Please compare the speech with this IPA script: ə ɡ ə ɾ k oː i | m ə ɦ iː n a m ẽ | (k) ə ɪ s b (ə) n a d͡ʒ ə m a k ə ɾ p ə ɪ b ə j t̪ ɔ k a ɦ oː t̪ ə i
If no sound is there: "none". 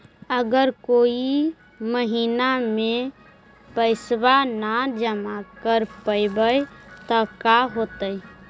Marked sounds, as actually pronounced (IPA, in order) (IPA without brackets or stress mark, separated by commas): p, a